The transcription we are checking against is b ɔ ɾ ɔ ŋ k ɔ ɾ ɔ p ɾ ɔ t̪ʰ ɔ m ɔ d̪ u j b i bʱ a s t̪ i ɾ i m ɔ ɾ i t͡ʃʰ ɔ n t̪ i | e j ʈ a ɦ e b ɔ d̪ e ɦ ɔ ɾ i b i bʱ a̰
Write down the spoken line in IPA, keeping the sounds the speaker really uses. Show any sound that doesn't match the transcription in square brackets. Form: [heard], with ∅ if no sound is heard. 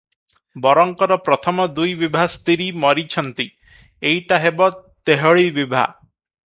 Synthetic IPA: b ɔ ɾ ɔ ŋ k ɔ ɾ ɔ p ɾ ɔ t̪ʰ ɔ m ɔ d̪ u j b i bʱ a s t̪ i ɾ i m ɔ ɾ i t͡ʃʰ ɔ n t̪ i | e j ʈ a ɦ e b ɔ [t̪] e ɦ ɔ [ɭ] i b i bʱ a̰